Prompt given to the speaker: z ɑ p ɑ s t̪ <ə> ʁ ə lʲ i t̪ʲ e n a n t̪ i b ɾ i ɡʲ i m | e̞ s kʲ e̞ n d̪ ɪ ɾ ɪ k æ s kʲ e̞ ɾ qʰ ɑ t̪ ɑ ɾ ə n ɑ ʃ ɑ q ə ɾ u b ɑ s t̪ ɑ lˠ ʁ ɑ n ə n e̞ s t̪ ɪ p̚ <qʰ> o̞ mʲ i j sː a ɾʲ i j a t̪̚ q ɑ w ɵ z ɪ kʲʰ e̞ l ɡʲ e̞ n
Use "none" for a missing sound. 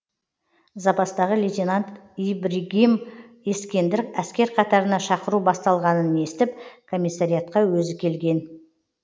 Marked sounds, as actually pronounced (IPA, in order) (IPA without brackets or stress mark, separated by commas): ɑ, kʰ